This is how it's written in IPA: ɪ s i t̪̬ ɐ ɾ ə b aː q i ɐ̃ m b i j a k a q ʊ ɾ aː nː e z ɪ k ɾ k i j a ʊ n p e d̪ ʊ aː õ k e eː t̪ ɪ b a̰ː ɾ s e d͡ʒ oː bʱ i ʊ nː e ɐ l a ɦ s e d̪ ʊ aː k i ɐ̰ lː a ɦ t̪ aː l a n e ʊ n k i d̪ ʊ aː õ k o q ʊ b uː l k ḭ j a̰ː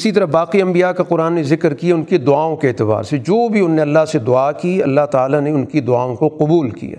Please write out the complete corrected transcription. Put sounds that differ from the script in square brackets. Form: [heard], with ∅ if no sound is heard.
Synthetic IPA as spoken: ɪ s i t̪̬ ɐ ɾ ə b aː q i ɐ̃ m b i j a k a q ʊ ɾ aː nː e z ɪ k ɾ k i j a ʊ n [k] e d̪ ʊ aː õ k e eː t̪ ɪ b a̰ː ɾ s e d͡ʒ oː bʱ i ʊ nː e ɐ [lː] a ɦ s e d̪ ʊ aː k i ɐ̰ lː a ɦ t̪ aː l a n e ʊ n k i d̪ ʊ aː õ k o q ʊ b uː l k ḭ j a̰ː